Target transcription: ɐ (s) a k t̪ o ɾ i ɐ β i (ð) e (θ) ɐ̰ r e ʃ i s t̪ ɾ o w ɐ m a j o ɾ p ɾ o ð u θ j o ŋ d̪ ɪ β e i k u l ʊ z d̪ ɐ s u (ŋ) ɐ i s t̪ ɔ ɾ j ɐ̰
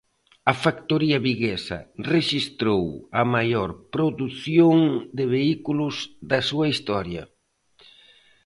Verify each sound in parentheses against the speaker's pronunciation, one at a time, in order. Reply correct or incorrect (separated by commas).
incorrect, incorrect, incorrect, incorrect